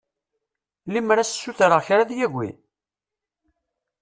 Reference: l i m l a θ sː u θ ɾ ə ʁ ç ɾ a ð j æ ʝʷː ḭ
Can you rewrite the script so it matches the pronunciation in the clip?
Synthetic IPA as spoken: l i m ɾ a s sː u θ ɾ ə ʁ ç ɾ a ð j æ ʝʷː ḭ